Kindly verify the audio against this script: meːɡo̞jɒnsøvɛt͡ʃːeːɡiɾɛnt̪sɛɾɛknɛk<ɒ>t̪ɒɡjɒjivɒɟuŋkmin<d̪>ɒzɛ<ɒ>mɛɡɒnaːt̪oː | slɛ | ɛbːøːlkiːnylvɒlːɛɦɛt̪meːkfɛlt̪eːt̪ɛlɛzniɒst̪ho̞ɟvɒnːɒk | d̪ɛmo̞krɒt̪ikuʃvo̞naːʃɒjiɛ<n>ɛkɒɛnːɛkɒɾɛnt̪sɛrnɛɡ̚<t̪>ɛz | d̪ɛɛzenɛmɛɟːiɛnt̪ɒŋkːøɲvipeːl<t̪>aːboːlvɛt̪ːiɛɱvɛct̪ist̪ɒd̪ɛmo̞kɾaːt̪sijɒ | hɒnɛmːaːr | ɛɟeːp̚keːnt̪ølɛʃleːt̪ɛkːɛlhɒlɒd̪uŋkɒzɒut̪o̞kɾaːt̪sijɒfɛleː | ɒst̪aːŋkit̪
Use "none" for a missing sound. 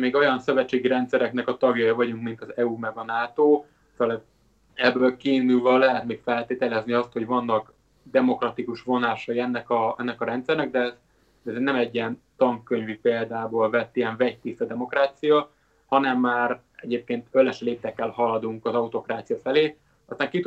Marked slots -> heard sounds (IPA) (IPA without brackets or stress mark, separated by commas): ɒ, t̪, u, nː, d̪, d̪